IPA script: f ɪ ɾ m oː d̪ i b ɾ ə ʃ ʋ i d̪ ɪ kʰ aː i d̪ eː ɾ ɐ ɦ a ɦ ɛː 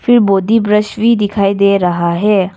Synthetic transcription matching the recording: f ɪ ɾ b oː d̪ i b ɾ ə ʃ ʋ i d̪ ɪ kʰ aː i d̪ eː ɾ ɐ ɦ a ɦ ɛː